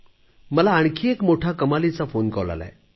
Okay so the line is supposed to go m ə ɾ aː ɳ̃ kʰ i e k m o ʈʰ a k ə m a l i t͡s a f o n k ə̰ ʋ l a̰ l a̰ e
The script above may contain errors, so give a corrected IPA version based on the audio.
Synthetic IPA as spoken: m ə l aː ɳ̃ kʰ i e k m o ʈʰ a k ə m a l i t͡s a f o n k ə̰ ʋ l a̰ l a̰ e